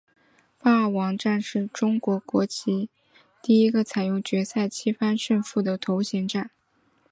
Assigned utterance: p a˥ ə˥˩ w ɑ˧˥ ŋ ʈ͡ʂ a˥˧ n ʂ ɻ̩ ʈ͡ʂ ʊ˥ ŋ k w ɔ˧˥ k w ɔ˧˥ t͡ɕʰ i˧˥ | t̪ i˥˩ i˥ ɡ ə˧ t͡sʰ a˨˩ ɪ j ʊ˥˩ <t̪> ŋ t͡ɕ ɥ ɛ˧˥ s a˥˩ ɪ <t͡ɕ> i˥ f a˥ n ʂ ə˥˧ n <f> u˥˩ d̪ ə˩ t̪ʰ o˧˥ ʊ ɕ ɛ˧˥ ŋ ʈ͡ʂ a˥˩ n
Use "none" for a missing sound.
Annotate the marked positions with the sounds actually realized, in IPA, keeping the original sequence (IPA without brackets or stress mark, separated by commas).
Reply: none, t͡ɕʰ, f